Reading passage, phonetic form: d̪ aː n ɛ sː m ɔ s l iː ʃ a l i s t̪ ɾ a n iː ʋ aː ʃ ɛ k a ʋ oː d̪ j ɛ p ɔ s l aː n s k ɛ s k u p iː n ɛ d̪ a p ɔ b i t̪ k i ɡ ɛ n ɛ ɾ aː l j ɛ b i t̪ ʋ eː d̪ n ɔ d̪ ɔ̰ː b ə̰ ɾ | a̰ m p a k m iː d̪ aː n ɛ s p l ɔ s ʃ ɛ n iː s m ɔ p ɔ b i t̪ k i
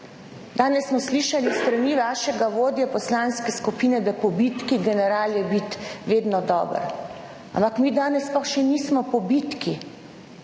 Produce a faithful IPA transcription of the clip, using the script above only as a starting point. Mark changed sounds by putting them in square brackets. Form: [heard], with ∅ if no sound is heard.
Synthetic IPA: d̪ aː n ɛ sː m ɔ s l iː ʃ a l i s t̪ ɾ a n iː ʋ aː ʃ ɛ [ɡ] a ʋ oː d̪ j ɛ p ɔ s l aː n s k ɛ s k u p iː n ɛ d̪ a p ɔ b i t̪ k i ɡ ɛ n ɛ ɾ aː l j ɛ b i t̪ ʋ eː d̪ n ɔ d̪ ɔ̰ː b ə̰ ɾ | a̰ m p a k m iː d̪ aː n ɛ s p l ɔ [x] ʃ ɛ n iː s m ɔ p ɔ b i t̪ k i